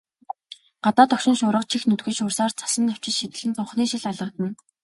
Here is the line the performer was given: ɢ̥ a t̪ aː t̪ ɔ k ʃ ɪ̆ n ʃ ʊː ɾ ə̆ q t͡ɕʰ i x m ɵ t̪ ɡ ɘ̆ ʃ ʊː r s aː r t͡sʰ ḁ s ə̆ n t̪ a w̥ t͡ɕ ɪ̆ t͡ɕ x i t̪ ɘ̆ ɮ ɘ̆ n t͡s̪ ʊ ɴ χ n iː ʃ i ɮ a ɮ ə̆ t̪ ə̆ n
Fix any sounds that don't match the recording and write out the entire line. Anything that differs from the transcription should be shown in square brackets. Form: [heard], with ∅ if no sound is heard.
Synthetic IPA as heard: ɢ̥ a t̪ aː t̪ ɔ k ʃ ɪ̆ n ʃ ʊː ɾ ə̆ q t͡ɕʰ i x [n] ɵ t̪ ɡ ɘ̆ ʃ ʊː r s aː r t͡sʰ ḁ s ə̆ n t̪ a w̥ t͡ɕ ɪ̆ t͡ɕ [ʃ] i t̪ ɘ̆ ɮ ɘ̆ n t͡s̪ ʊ ɴ χ n iː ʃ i ɮ a ɮ ə̆ t̪ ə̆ n